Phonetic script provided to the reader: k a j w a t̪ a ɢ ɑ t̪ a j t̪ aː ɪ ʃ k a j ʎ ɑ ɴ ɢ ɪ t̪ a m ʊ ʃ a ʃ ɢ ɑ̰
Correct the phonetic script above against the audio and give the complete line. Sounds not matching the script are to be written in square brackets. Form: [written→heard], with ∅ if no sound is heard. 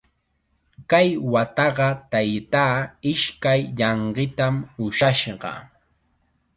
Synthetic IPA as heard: k a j w a t̪ [a→ɑ] ɢ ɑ t̪ a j t̪ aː ɪ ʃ k a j ʎ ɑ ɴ ɢ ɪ t̪ a m ʊ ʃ a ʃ ɢ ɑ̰